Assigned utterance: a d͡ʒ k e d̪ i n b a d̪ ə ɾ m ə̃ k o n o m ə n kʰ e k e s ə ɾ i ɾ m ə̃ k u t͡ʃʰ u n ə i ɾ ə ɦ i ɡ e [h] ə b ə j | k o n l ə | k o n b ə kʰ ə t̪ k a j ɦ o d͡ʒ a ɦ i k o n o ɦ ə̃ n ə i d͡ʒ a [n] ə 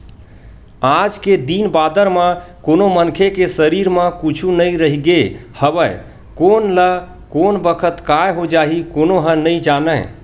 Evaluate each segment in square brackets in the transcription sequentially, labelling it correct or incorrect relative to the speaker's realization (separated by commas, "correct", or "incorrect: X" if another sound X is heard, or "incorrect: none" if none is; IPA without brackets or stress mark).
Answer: correct, correct